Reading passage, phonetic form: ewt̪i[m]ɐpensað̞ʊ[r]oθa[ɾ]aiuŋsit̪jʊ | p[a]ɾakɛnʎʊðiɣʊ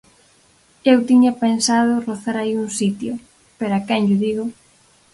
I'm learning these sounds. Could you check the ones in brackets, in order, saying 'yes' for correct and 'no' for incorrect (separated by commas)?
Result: no, yes, yes, no